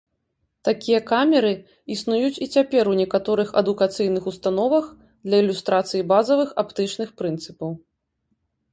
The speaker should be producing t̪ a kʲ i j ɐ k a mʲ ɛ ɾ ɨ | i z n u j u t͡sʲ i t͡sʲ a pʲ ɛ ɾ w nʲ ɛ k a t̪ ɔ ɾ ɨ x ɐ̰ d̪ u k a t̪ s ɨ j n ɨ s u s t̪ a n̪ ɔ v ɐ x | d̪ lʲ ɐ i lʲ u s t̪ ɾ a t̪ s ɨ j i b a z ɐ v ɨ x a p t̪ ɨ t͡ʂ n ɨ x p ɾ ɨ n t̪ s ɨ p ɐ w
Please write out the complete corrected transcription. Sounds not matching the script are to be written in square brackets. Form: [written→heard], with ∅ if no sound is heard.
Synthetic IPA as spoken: t̪ a kʲ i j ɐ k a mʲ ɛ ɾ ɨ | i [z→s] n u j u t͡sʲ i t͡sʲ a pʲ ɛ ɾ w nʲ ɛ k a t̪ ɔ ɾ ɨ x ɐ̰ d̪ u k a t̪ s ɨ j n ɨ [s→x] u s t̪ a n̪ ɔ v ɐ x | d̪ lʲ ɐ i lʲ u s t̪ ɾ a t̪ s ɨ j i b a z ɐ v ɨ x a p t̪ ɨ t͡ʂ n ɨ x p ɾ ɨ n t̪ s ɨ p ɐ w